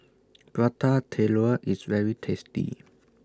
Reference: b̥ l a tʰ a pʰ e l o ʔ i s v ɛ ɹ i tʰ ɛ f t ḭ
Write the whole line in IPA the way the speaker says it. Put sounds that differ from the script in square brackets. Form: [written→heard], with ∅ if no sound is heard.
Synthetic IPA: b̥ [l→ɹ] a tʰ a [pʰ→tʰ] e l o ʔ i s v ɛ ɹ i tʰ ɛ [f→s] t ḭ

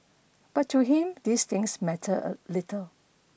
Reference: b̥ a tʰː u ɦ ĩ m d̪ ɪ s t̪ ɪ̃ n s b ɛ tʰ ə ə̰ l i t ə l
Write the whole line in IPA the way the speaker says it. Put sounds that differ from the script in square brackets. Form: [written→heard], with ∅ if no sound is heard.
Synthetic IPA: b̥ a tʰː u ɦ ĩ m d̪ [ɪ→i] s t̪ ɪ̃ [n→ŋ] s [b→m] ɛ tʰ ə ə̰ l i t ə l

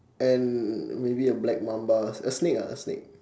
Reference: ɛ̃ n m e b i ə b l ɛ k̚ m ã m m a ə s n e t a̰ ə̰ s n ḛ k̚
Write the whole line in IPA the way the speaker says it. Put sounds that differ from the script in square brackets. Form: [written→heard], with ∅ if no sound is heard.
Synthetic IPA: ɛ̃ n m e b i ə b l ɛ k̚ m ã m [m→b] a ə s n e [t→k] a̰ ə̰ s n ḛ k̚

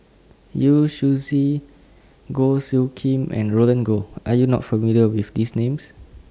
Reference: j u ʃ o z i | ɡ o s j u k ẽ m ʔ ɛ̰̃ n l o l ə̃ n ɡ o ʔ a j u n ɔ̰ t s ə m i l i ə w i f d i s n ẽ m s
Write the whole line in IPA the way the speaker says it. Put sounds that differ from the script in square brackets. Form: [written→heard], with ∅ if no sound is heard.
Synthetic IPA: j u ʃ [o→u] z i | ɡ o s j u [k→kʰ] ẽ m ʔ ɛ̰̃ n [l→ɹ] o l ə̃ n ɡ o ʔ a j u n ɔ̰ t [s→f] ə m i l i ə w i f d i s n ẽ m s

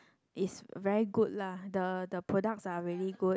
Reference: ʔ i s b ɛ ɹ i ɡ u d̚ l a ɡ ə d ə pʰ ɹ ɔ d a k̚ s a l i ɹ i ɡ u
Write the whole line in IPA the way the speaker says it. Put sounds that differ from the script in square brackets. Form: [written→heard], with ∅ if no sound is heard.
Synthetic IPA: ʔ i s [b→v] ɛ ɹ i ɡ u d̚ l a [ɡ→d] ə d ə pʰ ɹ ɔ d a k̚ s a [l→ɹ] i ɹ i ɡ u

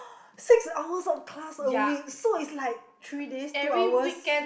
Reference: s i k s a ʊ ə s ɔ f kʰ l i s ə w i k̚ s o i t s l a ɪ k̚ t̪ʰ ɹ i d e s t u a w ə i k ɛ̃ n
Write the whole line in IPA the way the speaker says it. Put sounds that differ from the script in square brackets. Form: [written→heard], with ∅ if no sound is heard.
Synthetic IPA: s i k s a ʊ ə s ɔ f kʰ l [i→a] s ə w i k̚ s o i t s l a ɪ k̚ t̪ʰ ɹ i d e s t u a w ə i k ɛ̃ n

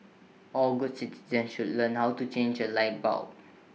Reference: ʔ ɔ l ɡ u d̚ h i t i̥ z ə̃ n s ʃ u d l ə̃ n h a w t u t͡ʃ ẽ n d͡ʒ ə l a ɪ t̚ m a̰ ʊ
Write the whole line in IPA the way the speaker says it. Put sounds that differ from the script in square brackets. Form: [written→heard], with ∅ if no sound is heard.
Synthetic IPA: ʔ ɔ l ɡ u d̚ [h→s] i t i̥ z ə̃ n s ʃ u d l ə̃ n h a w t u t͡ʃ ẽ n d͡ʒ ə l a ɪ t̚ [m→b] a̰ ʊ

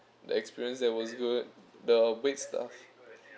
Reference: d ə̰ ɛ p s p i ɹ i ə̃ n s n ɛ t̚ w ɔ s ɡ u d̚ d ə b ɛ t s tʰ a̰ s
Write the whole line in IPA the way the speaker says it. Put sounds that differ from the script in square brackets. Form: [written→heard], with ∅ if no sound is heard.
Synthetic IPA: d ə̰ ɛ [p→k] s p i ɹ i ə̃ n s [n→d] ɛ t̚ w ɔ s ɡ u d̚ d ə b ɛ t s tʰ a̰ [s→f]

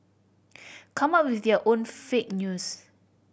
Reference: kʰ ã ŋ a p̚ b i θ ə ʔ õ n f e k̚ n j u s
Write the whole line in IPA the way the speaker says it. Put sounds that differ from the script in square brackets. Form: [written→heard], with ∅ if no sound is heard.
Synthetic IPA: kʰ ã [ŋ→m] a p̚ [b→w] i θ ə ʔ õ n f e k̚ n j u s

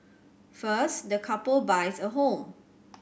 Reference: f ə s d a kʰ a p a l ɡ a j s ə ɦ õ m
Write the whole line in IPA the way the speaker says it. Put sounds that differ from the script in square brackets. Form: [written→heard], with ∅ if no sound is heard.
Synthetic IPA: f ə s d [a→ə] kʰ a p [a→ə] l [ɡ→b] a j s ə ɦ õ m

